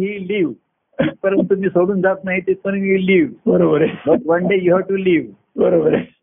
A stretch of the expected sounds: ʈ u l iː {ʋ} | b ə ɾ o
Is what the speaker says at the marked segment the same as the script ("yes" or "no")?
yes